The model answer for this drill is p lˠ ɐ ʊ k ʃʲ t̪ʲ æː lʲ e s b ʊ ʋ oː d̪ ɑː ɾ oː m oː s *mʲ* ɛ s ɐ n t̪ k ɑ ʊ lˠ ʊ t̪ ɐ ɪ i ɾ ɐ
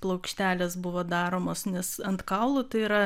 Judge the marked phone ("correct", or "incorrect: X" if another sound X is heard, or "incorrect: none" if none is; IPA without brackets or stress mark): incorrect: nʲ